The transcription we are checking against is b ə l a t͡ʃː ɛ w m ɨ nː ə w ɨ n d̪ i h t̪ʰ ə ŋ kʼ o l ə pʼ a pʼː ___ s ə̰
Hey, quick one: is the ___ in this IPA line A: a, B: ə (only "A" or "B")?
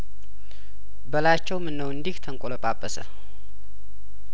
B